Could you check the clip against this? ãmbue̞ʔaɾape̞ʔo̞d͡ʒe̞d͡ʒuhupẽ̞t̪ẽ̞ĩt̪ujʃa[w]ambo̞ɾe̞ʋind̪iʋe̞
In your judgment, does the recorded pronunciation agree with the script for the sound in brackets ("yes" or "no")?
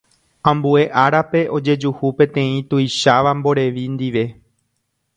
no